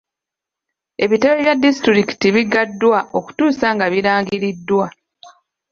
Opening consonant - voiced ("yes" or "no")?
yes